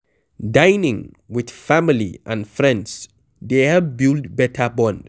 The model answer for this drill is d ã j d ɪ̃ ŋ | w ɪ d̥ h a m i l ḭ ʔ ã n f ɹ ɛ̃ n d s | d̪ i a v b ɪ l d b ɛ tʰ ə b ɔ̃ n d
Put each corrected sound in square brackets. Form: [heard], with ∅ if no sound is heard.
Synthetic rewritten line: d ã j [n] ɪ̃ ŋ | w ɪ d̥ [f] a m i l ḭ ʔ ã n f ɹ ɛ̃ n d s | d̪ [e] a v b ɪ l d b ɛ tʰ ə b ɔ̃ n d

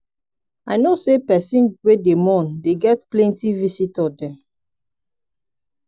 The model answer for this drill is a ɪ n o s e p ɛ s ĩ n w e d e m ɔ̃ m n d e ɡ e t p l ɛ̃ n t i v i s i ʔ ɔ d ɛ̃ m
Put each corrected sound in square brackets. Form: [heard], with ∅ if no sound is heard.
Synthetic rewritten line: a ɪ n o s e p ɛ s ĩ n w e d e m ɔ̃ [∅] n d e ɡ [ɛ] t p l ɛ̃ n t i v i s i [t] ɔ d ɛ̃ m

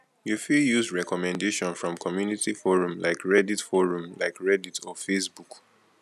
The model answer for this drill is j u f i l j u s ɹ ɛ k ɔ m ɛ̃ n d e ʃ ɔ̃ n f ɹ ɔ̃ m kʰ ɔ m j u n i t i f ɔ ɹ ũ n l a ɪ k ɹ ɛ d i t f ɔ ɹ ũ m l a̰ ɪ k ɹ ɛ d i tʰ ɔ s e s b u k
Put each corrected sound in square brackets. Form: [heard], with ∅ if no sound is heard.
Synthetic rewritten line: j u f i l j u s ɹ ɛ k ɔ m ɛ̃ n d e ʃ ɔ̃ n f ɹ ɔ̃ m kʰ ɔ m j u n i t i f ɔ ɹ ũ [m] l a ɪ k ɹ ɛ d i t f ɔ ɹ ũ m l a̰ ɪ k ɹ ɛ d i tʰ ɔ [f] e s b u k

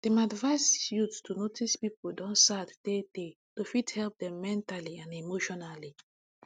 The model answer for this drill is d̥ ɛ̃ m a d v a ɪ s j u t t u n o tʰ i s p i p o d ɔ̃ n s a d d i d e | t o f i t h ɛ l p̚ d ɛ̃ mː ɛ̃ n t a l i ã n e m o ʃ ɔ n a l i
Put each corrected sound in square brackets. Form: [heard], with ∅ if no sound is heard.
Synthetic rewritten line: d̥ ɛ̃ m a d v a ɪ s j u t t u n o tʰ i s p i p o d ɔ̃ n s a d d [e] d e | t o f i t h ɛ l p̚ d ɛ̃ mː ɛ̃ n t a l i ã n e m o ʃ ɔ n a l i

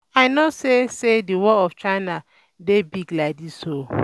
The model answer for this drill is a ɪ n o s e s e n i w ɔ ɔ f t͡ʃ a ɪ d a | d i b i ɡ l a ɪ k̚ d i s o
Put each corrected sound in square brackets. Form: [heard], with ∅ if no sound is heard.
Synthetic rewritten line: a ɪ n o s e s e [d] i w ɔ ɔ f t͡ʃ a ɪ [n] a | d [e] b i ɡ l a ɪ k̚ d i s o

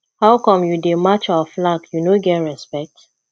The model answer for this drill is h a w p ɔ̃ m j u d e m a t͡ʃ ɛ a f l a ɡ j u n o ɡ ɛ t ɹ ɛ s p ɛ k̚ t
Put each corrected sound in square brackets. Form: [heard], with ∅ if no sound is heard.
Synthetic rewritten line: h a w [k] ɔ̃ m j u d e m a t͡ʃ [a] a f l a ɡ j u n o ɡ ɛ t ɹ ɛ s p ɛ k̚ t

